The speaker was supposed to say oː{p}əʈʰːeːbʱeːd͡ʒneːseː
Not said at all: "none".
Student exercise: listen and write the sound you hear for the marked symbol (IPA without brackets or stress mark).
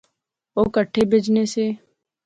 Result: k